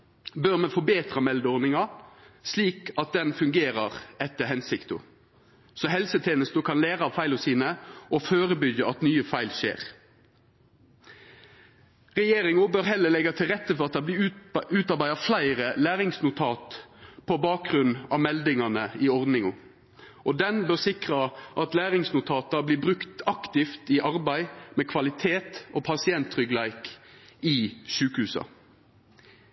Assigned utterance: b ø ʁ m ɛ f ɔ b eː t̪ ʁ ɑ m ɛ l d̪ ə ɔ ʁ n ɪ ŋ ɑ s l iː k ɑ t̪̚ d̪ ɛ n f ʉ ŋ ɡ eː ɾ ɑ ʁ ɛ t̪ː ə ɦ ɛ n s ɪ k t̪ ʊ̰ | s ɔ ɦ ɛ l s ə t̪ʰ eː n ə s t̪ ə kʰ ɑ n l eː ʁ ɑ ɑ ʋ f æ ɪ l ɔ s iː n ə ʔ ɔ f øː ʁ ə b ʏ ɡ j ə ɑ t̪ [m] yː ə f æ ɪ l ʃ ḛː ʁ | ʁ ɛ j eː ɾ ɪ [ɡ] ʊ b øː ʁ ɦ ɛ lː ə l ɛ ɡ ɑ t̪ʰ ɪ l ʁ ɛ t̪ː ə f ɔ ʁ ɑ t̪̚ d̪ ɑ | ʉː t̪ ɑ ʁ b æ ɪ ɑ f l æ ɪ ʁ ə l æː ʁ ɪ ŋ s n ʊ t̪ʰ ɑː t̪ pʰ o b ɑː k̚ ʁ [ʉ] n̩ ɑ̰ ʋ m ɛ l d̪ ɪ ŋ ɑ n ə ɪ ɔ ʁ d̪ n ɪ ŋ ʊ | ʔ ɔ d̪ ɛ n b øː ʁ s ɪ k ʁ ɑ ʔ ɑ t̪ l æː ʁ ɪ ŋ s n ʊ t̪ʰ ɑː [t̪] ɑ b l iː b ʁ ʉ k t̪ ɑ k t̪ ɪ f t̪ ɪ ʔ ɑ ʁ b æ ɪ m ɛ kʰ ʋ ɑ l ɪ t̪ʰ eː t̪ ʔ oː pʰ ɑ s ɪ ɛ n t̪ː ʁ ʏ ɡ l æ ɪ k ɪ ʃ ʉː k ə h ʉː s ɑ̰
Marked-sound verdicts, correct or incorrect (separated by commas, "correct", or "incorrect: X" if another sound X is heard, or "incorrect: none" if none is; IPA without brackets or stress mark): incorrect: n, incorrect: ŋ, correct, correct